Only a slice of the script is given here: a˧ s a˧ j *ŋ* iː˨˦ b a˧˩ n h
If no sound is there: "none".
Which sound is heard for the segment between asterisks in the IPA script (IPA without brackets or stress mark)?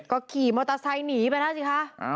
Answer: n